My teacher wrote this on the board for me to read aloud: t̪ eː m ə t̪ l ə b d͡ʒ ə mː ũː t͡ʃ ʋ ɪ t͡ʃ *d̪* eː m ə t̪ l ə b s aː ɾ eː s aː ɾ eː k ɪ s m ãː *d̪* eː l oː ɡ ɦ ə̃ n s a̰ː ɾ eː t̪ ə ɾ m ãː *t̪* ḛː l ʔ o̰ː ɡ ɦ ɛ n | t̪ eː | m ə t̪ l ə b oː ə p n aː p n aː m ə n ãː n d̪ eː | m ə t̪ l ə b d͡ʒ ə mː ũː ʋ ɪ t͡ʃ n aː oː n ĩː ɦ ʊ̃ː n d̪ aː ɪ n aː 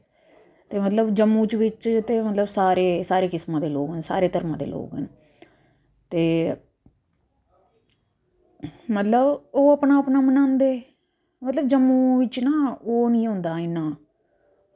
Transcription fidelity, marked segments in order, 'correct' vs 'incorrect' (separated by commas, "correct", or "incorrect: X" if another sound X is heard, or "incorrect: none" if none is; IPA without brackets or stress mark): incorrect: t̪, correct, incorrect: d̪